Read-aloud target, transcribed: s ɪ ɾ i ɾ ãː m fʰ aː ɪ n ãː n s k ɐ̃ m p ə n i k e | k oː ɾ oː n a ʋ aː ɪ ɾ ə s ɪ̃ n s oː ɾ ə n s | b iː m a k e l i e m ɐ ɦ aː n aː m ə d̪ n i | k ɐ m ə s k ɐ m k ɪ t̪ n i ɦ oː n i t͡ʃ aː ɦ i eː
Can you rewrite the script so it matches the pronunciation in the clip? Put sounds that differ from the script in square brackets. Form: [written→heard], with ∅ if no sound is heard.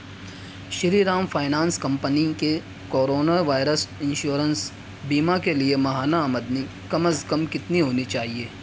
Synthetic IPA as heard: [s→ʃ] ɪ ɾ i ɾ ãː m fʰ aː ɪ n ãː n s k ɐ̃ m p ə n i k e | k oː ɾ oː n a ʋ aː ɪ ɾ ə s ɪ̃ n [s→ʃ] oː ɾ ə n s | b iː m a k e l i e m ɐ ɦ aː n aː m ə d̪ n i | k ɐ m ə s k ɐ m k ɪ t̪ n i ɦ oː n i t͡ʃ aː ɦ i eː

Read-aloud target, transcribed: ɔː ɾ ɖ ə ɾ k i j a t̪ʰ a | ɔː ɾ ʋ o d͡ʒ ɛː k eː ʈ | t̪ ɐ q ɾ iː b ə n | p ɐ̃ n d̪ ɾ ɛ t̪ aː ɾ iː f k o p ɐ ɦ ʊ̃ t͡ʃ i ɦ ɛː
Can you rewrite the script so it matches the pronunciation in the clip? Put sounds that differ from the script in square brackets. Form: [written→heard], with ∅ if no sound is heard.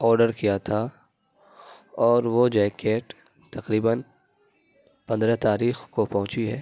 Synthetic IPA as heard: ɔː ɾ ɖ ə ɾ k i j a t̪ʰ a | ɔː ɾ ʋ o d͡ʒ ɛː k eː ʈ | t̪ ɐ q ɾ iː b ə n | p ɐ̃ n d̪ ɾ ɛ t̪ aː ɾ iː [f→x] k o p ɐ ɦ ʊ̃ t͡ʃ i ɦ ɛː

